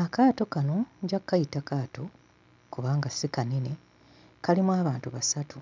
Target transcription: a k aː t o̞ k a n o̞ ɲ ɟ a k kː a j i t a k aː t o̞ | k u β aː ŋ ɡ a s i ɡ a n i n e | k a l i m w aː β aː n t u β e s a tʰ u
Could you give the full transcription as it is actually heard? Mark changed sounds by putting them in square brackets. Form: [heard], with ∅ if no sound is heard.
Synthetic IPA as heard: a k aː t o̞ k a n o̞ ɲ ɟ a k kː a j i t a k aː t o̞ | k u β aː ŋ ɡ a s i [k] a n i n e | k a l i m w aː β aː n t u β [a] s a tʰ u